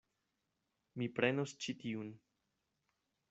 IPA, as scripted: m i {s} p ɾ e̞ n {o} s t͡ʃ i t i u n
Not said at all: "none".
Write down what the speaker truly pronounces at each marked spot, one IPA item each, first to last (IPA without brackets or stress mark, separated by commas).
none, o